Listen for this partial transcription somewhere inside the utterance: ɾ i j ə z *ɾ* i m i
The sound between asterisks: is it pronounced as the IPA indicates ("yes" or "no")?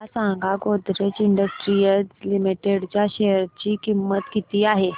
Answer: no